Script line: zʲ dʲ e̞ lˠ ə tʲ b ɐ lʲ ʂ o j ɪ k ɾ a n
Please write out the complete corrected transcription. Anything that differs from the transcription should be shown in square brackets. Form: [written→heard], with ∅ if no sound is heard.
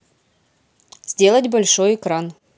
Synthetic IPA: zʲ dʲ e̞ lˠ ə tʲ b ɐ lʲ ʂ o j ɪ k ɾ a n